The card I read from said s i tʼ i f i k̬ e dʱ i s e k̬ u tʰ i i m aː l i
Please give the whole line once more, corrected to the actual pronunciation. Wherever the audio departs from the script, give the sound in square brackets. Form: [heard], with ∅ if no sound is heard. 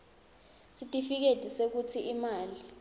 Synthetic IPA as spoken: s i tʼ i f i k̬ e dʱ i s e k̬ u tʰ i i m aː l i